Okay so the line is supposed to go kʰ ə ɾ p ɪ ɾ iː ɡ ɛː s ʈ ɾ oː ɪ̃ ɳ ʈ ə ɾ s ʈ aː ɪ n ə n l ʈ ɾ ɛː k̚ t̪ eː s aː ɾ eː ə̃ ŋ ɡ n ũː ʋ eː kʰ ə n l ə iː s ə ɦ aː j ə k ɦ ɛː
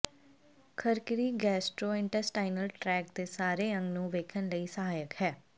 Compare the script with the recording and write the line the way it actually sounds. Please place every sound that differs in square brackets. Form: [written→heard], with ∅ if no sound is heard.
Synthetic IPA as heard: kʰ ə ɾ [p→k] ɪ ɾ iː ɡ ɛː s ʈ ɾ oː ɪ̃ ɳ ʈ ə ɾ s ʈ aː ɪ n ə [n→∅] l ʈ ɾ ɛː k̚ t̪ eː s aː ɾ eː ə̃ ŋ ɡ n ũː ʋ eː kʰ ə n l ə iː s ə ɦ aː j ə k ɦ ɛː